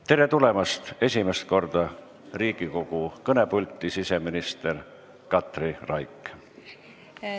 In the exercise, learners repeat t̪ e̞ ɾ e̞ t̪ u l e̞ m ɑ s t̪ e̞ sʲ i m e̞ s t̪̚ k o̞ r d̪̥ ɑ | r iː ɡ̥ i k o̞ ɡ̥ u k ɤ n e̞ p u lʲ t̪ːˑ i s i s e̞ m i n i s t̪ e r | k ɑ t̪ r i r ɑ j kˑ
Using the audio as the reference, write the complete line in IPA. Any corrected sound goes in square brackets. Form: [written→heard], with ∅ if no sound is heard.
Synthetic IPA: t̪ e̞ ɾ e̞ t̪ u l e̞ m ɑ s t̪ e̞ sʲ i m e̞ s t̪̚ k o̞ r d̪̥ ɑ | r iː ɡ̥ i k o̞ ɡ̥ u k ɤ n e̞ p u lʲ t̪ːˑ i s i s e̞ m i n i s t̪ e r | k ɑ t̪ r i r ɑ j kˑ